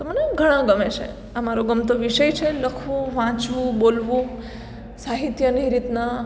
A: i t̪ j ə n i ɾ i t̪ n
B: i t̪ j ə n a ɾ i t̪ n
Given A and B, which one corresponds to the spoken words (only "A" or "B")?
A